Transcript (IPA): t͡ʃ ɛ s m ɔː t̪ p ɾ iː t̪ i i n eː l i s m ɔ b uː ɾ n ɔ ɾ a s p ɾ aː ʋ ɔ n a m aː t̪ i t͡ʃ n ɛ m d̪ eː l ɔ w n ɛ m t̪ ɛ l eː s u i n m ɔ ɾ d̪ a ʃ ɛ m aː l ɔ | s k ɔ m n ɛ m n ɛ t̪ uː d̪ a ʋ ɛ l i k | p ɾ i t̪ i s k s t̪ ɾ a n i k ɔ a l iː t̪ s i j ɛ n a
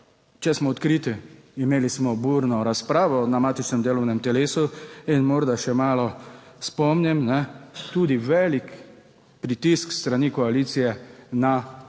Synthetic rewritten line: t͡ʃ ɛ s m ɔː t̪ k ɾ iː t̪ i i m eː l i s m ɔ b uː ɾ n ɔ ɾ a s p ɾ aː ʋ ɔ n a m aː t̪ i t͡ʃ n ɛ m d̪ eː l ɔ w n ɛ m t̪ ɛ l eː s u i n m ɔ ɾ d̪ a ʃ ɛ m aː l ɔ | s p ɔ m n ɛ m n ɛ t̪ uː d̪ i ʋ ɛ l i k | p ɾ i t̪ i s k s t̪ ɾ a n i k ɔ a l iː t̪ s i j ɛ n a